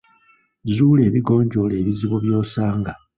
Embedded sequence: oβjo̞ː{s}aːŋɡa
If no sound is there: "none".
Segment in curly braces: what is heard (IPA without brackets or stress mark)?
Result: s